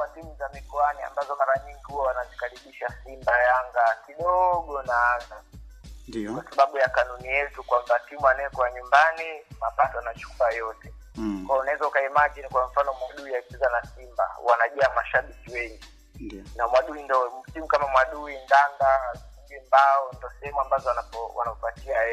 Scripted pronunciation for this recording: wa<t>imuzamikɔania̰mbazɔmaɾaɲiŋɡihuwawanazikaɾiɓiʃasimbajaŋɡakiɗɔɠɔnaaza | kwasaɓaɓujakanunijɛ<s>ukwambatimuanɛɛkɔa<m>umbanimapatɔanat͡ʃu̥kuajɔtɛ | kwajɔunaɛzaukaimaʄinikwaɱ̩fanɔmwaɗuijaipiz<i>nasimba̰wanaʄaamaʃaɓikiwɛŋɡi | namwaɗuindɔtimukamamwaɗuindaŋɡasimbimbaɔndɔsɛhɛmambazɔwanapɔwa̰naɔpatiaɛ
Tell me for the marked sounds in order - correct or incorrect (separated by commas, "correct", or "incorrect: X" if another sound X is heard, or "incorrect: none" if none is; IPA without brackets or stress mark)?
correct, incorrect: t, incorrect: ɲ, incorrect: a